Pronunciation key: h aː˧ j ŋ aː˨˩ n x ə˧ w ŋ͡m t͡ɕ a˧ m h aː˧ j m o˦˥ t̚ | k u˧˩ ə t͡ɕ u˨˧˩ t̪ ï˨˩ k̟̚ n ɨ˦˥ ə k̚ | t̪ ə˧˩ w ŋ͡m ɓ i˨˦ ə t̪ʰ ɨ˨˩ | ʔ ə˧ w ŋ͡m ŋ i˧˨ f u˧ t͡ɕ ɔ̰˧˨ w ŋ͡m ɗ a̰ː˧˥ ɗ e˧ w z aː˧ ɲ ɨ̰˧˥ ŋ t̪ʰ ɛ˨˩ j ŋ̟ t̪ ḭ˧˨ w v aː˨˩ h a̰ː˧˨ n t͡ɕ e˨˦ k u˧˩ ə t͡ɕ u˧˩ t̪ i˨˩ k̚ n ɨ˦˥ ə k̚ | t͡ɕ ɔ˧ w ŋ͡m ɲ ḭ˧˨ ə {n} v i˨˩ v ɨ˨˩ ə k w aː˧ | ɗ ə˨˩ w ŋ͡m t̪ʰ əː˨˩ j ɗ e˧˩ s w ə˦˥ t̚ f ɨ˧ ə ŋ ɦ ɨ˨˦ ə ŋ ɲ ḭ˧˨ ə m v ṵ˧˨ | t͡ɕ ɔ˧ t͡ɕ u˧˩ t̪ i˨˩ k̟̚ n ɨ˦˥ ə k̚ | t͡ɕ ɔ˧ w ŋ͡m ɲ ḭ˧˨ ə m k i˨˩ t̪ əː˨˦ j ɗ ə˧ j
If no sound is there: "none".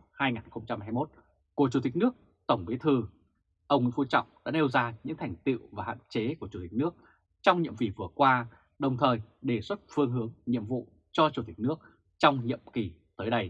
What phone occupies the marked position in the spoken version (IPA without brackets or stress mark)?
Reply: m